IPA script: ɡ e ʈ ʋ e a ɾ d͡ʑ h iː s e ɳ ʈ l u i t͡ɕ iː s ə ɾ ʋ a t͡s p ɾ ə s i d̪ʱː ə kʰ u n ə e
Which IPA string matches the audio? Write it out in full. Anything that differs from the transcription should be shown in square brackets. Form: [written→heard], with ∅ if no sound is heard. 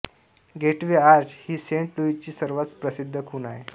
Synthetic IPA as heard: ɡ e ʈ ʋ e a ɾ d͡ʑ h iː s e ɳ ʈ l u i t͡ɕ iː s ə ɾ ʋ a t͡s p ɾ ə s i d̪ʱː ə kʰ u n [ə→a] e

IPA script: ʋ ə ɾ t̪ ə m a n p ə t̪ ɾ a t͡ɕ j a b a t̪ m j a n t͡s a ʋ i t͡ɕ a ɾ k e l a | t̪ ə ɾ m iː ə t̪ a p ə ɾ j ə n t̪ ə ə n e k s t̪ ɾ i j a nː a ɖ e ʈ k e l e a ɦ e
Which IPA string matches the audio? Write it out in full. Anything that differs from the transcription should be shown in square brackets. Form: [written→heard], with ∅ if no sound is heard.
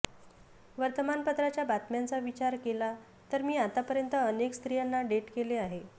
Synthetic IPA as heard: ʋ ə ɾ t̪ ə m a n p ə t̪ ɾ a t͡ɕ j a b a t̪ m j a n t͡s a ʋ i t͡ɕ a ɾ k e l a | t̪ ə ɾ m iː [ə→a] t̪ a p ə ɾ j ə n t̪ ə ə n e k s t̪ ɾ i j a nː a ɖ e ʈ k e l e a ɦ e

